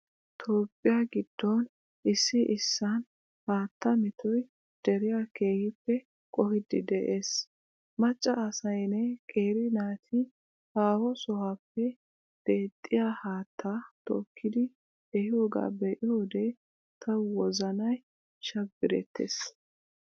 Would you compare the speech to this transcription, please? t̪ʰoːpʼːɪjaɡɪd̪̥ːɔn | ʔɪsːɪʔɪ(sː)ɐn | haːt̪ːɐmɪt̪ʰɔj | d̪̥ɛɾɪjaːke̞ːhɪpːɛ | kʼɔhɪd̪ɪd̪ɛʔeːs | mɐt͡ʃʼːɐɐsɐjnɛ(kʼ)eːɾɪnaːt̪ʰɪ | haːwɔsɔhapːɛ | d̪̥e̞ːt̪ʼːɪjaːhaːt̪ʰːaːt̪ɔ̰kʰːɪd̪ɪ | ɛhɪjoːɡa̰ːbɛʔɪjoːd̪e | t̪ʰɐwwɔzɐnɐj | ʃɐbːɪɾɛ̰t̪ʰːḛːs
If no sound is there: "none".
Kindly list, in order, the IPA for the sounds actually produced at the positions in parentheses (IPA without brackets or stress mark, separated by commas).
sː, kʼ